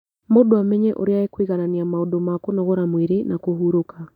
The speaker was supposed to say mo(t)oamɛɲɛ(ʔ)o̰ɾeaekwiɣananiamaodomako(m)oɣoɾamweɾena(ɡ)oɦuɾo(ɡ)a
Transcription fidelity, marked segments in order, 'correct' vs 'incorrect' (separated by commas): incorrect, correct, incorrect, incorrect, incorrect